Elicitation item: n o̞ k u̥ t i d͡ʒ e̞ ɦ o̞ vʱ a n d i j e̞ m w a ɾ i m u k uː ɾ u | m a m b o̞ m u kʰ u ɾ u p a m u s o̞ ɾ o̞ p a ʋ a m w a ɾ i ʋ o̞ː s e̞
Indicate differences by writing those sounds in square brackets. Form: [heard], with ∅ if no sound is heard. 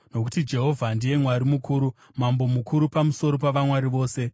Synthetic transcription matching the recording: n o̞ k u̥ t i d͡ʒ e̞ ɦ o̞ vʱ a n d i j e̞ m w a ɾ i m u k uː ɾ u | m a m b o̞ m u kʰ u ɾ u p a m u s o̞ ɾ o̞ p a ʋ a m w a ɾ i ʋ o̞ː s e̞